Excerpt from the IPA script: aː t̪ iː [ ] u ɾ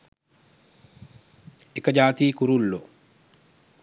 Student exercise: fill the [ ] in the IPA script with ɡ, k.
k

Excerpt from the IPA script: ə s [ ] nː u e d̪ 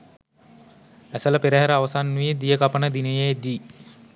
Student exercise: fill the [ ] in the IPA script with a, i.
a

